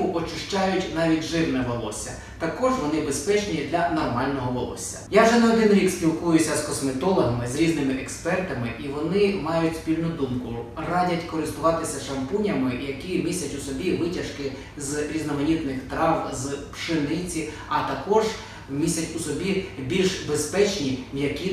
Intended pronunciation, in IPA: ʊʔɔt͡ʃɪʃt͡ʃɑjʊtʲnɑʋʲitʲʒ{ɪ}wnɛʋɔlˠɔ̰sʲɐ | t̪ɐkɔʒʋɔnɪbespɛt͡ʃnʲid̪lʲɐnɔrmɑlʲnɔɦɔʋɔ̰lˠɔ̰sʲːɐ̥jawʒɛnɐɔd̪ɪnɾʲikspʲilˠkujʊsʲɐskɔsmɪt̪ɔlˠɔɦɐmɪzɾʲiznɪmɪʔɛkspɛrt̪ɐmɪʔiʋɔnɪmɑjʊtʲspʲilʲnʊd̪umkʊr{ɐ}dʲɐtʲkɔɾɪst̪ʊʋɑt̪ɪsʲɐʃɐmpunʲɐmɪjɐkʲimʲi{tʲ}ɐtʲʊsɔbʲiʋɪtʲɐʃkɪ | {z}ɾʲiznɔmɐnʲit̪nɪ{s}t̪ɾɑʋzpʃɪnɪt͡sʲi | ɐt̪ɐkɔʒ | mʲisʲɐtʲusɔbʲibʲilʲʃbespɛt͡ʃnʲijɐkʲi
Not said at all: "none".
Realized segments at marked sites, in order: ɪ, ɑ, sʲ, z, x

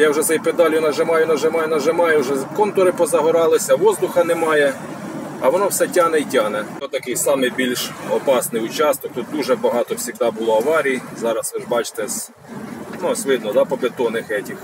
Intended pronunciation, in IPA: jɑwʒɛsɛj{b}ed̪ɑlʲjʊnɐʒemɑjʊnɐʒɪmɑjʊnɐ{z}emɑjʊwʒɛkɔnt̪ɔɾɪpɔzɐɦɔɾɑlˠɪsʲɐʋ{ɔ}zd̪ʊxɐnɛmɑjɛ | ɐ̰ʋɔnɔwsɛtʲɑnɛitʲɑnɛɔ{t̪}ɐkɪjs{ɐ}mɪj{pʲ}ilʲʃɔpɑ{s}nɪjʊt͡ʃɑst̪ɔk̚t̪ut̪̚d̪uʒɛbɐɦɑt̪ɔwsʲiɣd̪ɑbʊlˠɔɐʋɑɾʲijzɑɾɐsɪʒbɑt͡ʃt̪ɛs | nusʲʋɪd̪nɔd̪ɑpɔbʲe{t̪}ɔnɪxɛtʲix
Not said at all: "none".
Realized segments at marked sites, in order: p, ʒ, ɔ, t̪, ɑ, bʲ, s, t̪

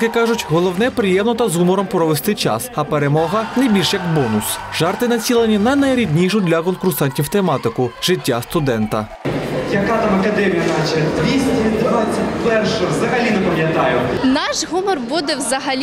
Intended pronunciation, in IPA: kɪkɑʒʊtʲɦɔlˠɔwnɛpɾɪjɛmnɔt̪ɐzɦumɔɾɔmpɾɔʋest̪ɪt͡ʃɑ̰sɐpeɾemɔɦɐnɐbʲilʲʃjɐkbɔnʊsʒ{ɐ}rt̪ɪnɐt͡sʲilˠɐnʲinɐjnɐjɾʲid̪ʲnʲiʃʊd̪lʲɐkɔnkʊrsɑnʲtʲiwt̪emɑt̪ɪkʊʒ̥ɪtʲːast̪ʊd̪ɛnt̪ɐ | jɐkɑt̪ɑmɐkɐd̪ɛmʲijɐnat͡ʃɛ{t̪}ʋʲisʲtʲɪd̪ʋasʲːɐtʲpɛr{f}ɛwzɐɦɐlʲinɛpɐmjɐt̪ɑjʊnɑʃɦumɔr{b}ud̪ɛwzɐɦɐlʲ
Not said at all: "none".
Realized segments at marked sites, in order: ɑ, d̪, ʃ, b

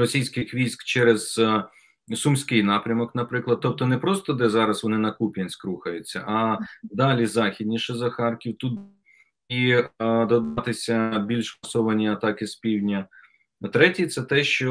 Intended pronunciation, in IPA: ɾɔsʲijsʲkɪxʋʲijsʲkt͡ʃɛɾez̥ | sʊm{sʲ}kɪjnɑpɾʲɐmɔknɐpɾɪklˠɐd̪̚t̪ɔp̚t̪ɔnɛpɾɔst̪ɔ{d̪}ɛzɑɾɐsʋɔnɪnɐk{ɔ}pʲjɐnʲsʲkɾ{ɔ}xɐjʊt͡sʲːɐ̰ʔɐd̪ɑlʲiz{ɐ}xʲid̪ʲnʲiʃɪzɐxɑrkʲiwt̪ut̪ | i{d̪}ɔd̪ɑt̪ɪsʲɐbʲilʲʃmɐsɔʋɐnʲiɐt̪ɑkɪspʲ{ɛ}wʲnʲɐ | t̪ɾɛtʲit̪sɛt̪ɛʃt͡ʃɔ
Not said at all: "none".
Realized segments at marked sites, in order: sʲ, d̪, u, u, ɑ, d̪, i

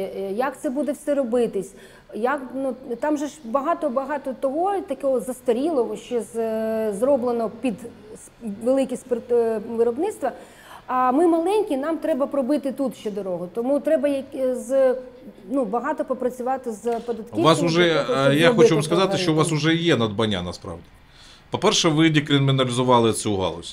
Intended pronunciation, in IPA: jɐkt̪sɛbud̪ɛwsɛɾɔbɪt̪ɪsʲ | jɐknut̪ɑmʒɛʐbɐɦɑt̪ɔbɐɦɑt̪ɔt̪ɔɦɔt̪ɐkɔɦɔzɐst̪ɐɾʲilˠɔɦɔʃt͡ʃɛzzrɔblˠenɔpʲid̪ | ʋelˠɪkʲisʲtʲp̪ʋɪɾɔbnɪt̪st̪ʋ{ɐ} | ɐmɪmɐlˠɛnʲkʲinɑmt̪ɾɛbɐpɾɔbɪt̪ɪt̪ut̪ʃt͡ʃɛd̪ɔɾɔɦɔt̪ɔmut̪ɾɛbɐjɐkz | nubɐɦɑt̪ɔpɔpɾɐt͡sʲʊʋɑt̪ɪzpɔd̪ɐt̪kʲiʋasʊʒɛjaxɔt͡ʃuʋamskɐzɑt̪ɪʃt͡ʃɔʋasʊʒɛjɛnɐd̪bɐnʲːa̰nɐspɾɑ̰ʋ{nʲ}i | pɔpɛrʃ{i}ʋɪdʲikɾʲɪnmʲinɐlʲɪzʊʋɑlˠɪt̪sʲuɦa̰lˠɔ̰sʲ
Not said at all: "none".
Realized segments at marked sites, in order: ɐ, dʲ, ɛ

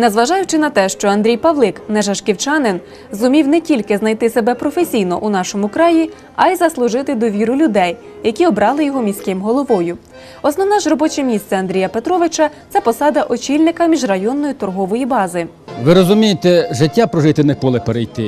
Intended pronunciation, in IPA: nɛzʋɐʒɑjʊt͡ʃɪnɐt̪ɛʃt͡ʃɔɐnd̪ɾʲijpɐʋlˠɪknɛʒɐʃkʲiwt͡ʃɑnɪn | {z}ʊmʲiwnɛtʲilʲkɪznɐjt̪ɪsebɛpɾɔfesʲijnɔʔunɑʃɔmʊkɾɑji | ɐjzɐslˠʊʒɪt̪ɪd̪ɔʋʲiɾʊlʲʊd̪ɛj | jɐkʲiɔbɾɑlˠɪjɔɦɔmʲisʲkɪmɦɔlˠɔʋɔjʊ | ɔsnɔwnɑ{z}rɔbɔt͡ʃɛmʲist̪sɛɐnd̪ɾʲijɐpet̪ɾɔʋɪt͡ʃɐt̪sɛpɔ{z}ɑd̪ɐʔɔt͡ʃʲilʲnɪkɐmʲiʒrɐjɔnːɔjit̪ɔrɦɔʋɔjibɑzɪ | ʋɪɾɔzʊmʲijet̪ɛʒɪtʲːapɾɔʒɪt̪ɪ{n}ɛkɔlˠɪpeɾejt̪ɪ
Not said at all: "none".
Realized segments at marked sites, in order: z, ʒ, s, n

